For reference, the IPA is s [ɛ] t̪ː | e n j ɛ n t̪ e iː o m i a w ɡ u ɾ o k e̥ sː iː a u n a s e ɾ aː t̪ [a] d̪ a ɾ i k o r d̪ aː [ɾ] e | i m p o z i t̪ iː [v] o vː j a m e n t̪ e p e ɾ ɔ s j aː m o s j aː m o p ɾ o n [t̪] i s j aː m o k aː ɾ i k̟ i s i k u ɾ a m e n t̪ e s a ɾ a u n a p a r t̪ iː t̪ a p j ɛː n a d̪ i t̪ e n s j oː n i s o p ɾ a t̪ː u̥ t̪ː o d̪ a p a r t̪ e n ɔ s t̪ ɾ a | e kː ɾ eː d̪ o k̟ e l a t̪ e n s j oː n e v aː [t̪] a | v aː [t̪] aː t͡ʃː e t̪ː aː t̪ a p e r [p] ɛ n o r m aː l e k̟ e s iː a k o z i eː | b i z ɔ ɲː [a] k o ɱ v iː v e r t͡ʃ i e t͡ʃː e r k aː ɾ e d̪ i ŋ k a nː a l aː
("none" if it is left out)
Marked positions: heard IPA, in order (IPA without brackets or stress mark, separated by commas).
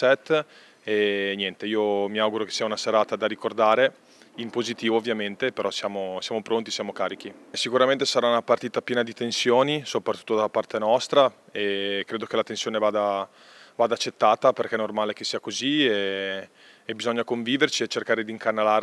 ɛ, a, ɾ, v, t̪, d̪, d̪, k, a